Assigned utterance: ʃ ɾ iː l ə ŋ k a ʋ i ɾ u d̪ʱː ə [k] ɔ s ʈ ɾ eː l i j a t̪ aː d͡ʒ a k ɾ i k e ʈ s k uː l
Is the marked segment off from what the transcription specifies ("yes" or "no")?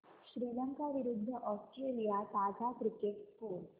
yes